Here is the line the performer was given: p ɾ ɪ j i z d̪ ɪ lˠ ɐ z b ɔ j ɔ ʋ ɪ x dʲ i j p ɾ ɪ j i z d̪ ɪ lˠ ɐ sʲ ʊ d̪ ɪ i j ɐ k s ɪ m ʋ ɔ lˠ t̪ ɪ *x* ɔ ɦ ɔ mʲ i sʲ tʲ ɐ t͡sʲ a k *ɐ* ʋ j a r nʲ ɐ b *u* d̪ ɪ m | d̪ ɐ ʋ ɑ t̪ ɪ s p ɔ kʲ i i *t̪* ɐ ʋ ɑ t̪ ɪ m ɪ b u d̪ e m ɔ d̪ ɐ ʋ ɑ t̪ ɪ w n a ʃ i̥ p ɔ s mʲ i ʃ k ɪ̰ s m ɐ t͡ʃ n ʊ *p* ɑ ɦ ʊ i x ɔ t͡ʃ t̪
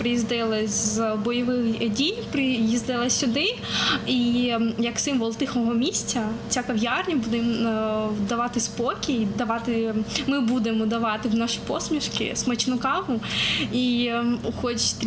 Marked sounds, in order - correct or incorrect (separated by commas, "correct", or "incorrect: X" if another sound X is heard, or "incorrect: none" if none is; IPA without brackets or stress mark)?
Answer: correct, correct, correct, incorrect: d̪, incorrect: k